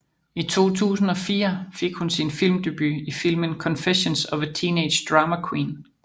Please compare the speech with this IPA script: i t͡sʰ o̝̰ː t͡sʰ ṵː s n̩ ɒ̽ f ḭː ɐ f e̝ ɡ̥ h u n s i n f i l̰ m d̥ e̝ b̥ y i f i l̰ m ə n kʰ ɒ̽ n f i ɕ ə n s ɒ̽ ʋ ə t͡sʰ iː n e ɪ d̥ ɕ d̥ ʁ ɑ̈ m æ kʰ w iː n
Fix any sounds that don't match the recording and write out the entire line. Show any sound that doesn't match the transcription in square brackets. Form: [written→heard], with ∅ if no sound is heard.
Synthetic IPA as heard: i t͡sʰ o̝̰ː t͡sʰ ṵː s n̩ ɒ̽ f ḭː ɐ f e̝ ɡ̥ h u n s i n f i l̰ m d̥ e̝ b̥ y i f i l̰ m ə n kʰ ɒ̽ n f [i→e] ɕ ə n s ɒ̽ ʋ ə t͡sʰ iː n e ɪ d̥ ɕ d̥ ʁ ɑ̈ m æ kʰ w iː n